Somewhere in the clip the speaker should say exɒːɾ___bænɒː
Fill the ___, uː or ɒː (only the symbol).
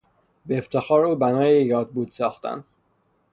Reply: uː